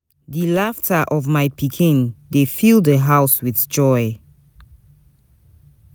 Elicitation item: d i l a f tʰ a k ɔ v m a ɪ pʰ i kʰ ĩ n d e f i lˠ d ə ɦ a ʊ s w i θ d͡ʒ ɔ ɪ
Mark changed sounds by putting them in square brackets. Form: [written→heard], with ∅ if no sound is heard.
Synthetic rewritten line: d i l a f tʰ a [k→ʔ] ɔ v m a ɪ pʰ i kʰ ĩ n d e f i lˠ d ə ɦ a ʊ s w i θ d͡ʒ ɔ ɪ